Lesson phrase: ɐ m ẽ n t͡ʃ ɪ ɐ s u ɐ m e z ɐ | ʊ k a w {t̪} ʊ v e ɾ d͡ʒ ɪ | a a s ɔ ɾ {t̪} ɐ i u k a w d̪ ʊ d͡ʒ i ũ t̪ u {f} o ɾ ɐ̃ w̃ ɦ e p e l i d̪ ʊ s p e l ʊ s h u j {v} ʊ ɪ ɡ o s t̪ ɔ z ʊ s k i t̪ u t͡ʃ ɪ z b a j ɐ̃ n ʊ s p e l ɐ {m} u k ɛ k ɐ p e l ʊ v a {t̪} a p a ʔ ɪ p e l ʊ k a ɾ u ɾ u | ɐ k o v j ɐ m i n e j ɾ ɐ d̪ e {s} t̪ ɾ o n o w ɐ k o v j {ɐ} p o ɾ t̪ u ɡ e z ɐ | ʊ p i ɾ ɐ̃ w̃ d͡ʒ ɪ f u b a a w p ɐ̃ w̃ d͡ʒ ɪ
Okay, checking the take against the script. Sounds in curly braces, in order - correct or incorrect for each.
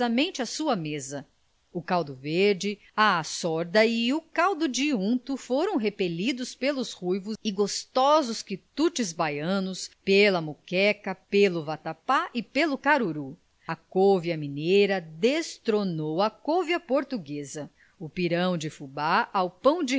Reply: incorrect: d̪, incorrect: d̪, correct, correct, correct, correct, correct, correct

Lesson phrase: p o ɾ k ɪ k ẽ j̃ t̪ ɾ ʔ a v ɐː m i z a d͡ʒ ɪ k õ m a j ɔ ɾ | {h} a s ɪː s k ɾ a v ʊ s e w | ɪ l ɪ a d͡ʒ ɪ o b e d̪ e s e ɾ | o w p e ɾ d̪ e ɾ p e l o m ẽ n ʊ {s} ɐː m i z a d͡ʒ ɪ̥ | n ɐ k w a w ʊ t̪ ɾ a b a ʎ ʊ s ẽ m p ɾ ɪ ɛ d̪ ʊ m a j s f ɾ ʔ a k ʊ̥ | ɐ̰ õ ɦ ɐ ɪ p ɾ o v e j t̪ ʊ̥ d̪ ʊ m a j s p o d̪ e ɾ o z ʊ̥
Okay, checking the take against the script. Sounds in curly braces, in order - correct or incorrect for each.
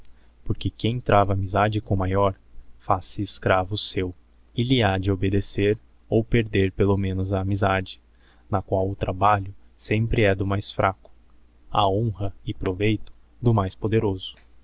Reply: incorrect: f, incorrect: z

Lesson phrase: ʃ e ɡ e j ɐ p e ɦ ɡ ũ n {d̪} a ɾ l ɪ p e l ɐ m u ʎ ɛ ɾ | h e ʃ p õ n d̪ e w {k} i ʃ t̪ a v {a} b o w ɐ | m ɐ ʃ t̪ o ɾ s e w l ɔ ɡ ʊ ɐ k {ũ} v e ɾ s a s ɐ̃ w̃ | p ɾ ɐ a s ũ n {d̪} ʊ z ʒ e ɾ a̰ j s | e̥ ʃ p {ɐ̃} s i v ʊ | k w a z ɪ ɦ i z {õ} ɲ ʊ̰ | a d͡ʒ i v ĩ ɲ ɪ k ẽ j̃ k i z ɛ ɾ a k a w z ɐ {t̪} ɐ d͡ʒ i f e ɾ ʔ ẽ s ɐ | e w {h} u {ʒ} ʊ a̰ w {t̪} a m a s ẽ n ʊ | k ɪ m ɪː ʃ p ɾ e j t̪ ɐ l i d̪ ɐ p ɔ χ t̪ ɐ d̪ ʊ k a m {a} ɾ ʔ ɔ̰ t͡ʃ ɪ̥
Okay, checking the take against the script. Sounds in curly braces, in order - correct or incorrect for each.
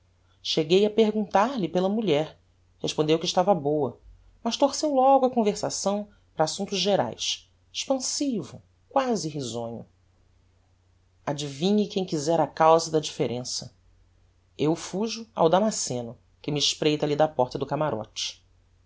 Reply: incorrect: t̪, correct, incorrect: ɐ, incorrect: õ, incorrect: t̪, correct, correct, incorrect: d̪, incorrect: f, correct, incorrect: d̪, correct

